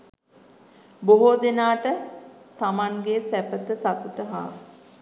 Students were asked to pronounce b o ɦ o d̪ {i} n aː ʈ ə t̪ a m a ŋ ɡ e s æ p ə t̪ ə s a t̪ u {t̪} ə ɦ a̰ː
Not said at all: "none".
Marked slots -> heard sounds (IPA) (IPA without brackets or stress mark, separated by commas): e, t̪